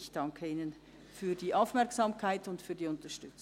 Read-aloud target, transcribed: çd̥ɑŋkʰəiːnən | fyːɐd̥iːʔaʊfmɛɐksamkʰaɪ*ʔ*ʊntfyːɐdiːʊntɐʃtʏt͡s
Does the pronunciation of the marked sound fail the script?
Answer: yes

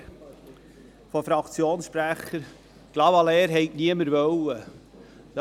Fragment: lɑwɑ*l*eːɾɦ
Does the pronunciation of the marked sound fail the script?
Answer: no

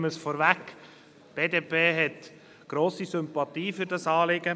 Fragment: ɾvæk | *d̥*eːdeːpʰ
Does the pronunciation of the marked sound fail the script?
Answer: yes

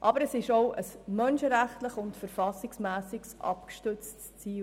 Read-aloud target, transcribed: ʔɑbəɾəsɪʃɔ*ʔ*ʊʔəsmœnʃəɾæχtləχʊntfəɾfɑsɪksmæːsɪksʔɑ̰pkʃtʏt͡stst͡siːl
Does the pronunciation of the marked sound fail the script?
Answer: yes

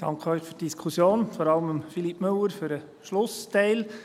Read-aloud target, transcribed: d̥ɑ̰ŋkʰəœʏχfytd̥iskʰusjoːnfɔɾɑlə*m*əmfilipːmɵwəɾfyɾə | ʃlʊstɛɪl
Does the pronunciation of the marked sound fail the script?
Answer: no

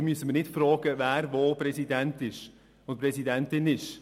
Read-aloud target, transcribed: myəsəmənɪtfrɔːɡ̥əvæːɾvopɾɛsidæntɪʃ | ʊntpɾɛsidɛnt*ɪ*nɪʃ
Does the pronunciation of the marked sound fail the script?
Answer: no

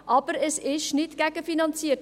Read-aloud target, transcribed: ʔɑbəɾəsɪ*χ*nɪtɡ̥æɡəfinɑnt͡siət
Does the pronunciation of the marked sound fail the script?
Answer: yes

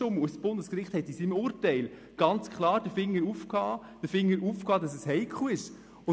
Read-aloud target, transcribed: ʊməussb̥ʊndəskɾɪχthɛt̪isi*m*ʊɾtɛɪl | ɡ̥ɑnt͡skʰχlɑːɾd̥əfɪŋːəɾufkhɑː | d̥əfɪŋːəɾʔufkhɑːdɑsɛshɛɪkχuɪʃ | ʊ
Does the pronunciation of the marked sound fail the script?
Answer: no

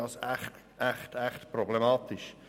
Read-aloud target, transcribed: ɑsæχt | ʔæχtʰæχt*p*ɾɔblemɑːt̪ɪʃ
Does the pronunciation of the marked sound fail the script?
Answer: no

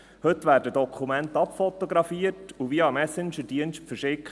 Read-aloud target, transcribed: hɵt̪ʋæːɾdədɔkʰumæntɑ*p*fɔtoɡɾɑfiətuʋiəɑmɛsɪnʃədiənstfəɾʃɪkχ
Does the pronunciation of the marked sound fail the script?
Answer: no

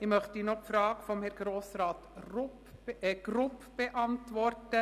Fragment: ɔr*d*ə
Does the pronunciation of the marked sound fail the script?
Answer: yes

